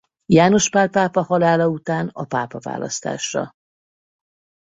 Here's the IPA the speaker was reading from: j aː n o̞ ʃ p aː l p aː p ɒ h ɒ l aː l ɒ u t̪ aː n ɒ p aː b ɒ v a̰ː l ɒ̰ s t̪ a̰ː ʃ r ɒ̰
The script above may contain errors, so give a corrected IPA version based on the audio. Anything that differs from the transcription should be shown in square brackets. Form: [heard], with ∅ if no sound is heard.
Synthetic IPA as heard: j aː n o̞ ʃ p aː l p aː p ɒ h ɒ l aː l ɒ u t̪ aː n ɒ p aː [p] ɒ v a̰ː l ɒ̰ s t̪ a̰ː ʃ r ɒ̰